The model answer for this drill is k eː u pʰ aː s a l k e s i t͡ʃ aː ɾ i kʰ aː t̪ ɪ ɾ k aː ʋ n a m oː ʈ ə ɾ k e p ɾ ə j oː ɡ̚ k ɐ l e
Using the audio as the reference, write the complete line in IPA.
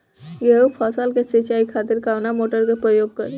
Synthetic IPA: ɡ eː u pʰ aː s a l k e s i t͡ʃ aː i kʰ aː t̪ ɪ ɾ k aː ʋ n a m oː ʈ ə ɾ k e p ɾ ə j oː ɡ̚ k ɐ ɾ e